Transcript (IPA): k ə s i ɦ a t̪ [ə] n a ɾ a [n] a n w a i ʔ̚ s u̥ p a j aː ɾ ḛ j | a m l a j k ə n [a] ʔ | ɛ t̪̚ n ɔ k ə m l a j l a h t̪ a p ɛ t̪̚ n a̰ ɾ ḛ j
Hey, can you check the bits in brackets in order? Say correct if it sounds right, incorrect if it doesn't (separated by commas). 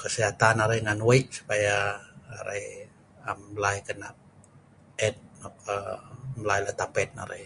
incorrect, incorrect, correct